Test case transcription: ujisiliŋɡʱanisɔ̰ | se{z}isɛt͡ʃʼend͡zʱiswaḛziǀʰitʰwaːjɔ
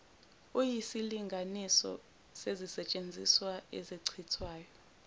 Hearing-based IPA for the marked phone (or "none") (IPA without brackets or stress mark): z